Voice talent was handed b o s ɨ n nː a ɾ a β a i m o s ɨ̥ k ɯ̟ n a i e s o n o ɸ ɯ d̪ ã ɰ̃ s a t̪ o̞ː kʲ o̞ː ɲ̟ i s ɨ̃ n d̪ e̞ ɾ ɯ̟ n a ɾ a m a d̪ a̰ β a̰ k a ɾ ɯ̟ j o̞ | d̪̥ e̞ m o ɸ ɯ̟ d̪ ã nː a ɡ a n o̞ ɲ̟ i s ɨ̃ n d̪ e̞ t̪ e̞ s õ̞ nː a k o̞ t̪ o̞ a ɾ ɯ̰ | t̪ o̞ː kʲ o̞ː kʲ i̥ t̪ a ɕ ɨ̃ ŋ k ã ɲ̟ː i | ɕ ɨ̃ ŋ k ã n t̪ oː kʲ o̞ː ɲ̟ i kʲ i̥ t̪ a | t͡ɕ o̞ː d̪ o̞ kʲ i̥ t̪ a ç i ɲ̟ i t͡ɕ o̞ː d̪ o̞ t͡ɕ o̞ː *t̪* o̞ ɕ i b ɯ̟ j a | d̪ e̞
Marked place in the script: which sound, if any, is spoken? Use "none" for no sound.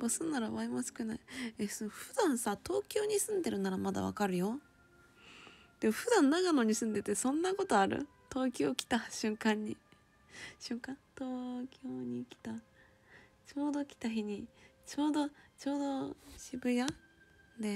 d̪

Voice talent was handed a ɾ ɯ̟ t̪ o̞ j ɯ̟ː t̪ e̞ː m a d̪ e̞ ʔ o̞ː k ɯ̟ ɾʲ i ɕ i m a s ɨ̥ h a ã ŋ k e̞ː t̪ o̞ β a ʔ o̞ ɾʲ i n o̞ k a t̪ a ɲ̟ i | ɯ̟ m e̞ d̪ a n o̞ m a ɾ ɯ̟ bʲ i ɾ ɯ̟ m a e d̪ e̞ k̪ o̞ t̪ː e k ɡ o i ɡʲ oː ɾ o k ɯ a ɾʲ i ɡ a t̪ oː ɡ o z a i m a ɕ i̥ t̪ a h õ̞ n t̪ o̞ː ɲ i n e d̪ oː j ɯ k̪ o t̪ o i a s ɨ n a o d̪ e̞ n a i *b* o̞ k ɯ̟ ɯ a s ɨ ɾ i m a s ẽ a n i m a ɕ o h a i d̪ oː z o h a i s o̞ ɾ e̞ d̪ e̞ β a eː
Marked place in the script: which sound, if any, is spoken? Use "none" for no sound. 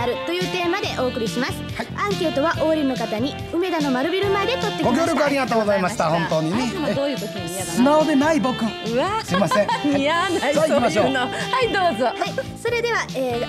b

